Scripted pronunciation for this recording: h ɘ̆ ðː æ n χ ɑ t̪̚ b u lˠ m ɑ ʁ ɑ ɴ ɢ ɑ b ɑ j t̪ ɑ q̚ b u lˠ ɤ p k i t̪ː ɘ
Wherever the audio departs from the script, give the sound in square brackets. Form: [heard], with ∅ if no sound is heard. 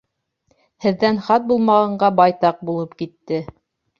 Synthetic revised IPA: h ɘ̆ ðː æ n χ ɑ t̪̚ b u lˠ m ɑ ʁ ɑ ɴ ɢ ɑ b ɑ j t̪ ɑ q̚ b u lˠ ɤ p k i t̪ː ɘ